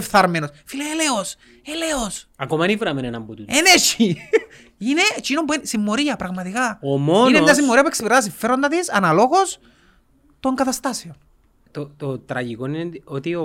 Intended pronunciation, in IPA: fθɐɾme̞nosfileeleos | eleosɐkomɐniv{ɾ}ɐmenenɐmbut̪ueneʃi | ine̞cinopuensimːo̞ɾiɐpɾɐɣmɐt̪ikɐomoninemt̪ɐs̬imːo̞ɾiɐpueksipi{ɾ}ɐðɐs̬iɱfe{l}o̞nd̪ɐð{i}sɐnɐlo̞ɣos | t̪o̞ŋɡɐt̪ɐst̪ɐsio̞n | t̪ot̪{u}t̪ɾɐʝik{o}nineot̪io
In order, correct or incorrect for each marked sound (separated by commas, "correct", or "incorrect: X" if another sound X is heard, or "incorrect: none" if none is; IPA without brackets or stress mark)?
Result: correct, correct, incorrect: ɾ, correct, incorrect: o, correct